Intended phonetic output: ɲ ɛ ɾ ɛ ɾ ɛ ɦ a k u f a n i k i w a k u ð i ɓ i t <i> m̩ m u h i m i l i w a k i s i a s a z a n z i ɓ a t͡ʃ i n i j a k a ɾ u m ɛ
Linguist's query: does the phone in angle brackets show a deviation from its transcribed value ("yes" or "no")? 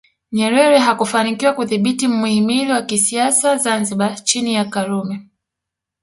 no